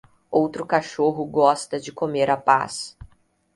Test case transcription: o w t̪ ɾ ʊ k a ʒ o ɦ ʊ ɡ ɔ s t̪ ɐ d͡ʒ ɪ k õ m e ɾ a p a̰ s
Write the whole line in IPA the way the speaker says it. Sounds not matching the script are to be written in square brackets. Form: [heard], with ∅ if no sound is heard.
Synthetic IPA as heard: o w t̪ ɾ ʊ k a [ʃ] o ɦ ʊ ɡ ɔ s t̪ ɐ d͡ʒ ɪ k [o] m e ɾ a p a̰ s